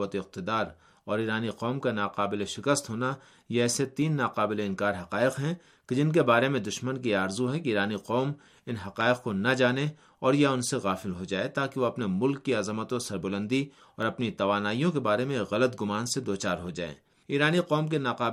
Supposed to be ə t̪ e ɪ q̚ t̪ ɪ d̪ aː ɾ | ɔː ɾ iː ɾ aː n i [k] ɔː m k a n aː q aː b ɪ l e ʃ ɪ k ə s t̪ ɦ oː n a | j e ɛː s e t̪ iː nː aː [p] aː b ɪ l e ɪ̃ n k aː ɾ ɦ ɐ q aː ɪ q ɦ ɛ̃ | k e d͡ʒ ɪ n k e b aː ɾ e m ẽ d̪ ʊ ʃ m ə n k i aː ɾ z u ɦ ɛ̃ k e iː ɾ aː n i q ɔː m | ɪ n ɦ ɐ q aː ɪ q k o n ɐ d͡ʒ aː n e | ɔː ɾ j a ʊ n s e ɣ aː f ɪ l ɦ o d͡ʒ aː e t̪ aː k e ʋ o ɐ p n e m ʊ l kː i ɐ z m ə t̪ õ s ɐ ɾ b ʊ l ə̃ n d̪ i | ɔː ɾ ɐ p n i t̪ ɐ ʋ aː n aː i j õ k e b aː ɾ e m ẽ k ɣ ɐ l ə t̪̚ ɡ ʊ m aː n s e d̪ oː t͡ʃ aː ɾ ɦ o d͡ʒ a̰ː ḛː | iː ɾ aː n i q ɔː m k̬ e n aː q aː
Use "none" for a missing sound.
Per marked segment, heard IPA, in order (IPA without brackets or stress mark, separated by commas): q, q